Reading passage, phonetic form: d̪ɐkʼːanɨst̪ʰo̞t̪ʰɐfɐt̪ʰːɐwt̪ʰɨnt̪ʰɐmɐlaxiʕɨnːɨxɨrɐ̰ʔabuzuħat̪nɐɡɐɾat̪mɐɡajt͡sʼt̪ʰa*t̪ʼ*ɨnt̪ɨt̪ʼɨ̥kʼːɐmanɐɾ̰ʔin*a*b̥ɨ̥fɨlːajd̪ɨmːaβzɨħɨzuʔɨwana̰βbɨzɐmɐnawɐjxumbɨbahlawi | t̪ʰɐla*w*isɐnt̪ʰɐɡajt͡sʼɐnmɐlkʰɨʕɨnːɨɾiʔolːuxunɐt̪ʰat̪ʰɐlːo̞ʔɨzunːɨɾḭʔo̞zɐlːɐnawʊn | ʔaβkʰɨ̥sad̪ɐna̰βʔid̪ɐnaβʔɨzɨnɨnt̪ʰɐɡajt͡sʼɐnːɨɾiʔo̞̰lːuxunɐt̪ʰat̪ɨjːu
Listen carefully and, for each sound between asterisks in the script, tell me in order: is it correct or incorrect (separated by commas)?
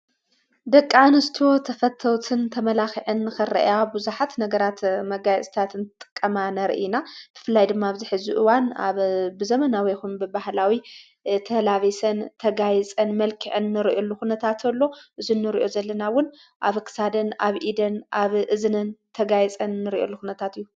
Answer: incorrect, correct, incorrect